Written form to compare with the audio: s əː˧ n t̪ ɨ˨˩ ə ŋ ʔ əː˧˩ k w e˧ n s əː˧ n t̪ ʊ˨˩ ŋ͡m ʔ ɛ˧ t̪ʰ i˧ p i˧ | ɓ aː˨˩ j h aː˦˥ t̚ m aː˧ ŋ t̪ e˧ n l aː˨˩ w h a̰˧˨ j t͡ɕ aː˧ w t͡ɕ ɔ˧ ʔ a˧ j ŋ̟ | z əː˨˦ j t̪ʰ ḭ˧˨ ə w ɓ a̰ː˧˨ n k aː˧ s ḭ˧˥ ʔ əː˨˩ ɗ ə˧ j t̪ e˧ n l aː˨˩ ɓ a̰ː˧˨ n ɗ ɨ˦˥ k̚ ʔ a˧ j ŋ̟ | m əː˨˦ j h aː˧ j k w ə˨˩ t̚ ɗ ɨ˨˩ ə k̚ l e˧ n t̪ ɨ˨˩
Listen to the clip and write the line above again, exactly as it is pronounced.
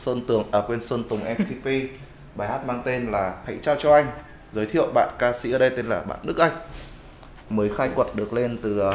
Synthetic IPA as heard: s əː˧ n t̪ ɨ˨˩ ə ŋ ʔ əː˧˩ k w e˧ n s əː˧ n t̪ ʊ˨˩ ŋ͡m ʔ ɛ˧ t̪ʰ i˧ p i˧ | ɓ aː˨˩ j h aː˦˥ t̚ m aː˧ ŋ t̪ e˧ n l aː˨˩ h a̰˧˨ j t͡ɕ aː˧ w t͡ɕ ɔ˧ ʔ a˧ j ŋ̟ | z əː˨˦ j t̪ʰ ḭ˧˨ ə w ɓ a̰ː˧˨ n k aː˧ s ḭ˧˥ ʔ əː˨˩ ɗ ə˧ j t̪ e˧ n l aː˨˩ ɓ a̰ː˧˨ n ɗ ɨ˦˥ k̚ ʔ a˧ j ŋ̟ | m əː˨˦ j x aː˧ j k w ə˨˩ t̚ ɗ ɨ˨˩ ə k̚ l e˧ n t̪ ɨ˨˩